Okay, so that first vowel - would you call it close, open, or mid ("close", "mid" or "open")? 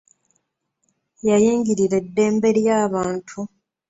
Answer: open